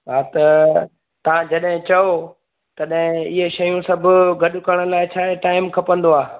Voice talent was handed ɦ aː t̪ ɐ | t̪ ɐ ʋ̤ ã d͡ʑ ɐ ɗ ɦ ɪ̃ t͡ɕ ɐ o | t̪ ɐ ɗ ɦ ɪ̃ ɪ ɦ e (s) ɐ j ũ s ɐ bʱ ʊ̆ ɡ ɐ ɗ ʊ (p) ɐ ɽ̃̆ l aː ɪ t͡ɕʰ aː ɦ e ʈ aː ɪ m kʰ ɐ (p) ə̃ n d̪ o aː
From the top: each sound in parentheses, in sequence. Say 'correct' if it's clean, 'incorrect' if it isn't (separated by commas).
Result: incorrect, incorrect, correct